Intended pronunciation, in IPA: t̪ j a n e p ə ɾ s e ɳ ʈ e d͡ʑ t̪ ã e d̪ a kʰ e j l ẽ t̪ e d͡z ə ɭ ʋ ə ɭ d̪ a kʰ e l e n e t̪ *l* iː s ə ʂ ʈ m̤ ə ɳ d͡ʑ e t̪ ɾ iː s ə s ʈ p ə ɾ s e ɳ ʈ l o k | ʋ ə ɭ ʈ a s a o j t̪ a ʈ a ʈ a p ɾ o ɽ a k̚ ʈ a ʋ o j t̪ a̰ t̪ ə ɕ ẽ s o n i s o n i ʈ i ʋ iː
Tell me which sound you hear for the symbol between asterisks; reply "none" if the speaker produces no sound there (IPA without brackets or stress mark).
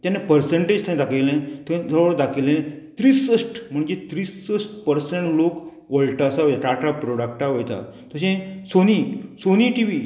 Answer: ɾ